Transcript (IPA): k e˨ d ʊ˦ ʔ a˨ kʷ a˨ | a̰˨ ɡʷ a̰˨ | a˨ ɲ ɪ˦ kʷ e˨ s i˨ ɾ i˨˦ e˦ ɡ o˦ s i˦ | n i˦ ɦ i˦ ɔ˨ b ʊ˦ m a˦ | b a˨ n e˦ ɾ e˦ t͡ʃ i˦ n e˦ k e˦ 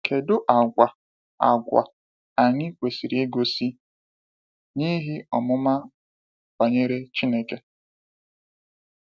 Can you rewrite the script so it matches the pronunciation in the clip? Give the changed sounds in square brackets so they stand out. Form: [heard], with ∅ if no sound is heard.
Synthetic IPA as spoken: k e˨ d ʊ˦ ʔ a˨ [ɡʷ] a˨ | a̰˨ ɡʷ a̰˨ | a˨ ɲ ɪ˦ kʷ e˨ s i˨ ɾ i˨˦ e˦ ɡ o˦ s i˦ | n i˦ ɦ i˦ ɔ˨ [m] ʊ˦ m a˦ | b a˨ [ɲ] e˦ ɾ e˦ t͡ʃ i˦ n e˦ k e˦